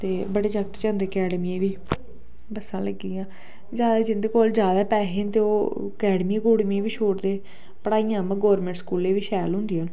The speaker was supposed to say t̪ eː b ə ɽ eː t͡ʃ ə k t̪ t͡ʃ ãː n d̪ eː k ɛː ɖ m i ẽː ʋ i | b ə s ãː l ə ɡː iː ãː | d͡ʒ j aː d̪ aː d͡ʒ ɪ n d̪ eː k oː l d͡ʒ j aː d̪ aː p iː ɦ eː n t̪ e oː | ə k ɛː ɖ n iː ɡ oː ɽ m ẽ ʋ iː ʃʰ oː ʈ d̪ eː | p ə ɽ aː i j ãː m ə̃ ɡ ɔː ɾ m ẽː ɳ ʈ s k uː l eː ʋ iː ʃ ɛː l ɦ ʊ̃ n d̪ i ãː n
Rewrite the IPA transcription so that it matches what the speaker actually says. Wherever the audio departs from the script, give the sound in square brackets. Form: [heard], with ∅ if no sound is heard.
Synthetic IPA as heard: t̪ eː b ə ɽ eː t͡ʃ ə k t̪ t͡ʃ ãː n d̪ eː k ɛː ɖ m i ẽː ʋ [iː] | b ə s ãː l ə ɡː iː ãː | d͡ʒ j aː d̪ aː d͡ʒ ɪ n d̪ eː k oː l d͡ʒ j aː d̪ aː p [ɛː] ɦ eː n t̪ e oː | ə k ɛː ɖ [m] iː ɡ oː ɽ m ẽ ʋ iː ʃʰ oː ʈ d̪ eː | p ə ɽ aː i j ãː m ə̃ ɡ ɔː ɾ m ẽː ɳ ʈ s k uː l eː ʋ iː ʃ ɛː l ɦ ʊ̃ n d̪ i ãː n